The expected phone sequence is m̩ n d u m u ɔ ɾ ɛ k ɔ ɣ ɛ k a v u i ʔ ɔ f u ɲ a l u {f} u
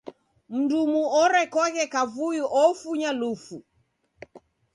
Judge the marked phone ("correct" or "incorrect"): correct